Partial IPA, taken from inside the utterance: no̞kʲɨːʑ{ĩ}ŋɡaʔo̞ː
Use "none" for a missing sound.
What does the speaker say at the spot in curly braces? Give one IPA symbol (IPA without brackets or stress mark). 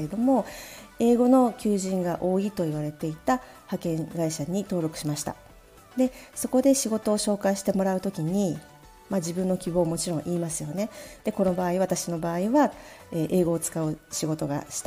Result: ĩ